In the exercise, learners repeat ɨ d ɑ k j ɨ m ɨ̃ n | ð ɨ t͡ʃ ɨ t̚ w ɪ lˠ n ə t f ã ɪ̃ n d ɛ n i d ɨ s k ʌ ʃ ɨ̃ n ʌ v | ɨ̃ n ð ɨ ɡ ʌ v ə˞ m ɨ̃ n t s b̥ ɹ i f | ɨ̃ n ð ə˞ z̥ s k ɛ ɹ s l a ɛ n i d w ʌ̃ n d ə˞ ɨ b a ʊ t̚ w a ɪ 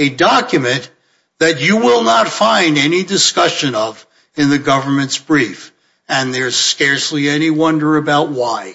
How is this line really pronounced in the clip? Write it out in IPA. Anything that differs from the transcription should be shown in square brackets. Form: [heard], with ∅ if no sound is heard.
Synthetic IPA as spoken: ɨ d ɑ k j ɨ m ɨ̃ n | ð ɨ t͡ʃ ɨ [∅] w ɪ lˠ n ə t f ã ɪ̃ n d ɛ n i d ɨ s k ʌ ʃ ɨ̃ n ʌ v | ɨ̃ n ð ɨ ɡ ʌ v ə˞ m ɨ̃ n t s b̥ ɹ i f | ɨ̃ n ð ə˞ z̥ s k ɛ ɹ s l [i] ɛ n i [∅] w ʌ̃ n d ə˞ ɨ b a ʊ t̚ w a ɪ